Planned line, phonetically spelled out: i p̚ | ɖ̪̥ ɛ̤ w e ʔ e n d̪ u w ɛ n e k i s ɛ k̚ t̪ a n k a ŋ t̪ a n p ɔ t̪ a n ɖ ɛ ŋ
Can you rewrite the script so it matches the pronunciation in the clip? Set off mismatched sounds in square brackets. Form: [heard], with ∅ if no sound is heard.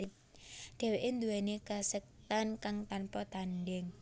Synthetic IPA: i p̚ | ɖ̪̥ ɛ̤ w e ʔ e n d̪ u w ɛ n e k [a] s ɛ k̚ t̪ a n k a ŋ t̪ a n p ɔ t̪ a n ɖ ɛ ŋ